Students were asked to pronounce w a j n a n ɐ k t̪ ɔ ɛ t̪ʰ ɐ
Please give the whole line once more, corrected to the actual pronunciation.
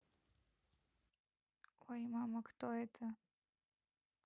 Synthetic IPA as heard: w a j m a m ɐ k t̪ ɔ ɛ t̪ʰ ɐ